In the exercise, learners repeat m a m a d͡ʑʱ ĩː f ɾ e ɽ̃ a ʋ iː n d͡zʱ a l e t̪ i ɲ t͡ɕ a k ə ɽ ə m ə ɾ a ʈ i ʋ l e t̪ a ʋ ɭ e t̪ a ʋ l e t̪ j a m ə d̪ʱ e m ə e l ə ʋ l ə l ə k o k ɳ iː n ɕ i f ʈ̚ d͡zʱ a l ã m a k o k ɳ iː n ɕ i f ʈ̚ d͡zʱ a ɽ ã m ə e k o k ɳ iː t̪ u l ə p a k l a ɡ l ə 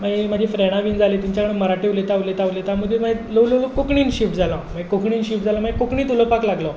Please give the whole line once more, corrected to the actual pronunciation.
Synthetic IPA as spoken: m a m a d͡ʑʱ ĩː f ɾ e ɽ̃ a ʋ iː n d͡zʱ a l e t̪ i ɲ t͡ɕ a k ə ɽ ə m ə ɾ a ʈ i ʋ l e t̪ a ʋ l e t̪ a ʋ l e t̪ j a m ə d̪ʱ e m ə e l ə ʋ l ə l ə k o k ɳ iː n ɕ i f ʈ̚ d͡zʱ a l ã m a k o k ɳ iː n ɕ i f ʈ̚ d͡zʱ a l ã m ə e k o k ɳ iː t̪ u l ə p a k l a ɡ l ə